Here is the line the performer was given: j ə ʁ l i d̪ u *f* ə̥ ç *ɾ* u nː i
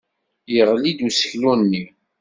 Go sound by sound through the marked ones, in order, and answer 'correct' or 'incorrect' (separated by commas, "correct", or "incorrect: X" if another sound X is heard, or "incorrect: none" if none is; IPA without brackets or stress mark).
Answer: incorrect: s, incorrect: l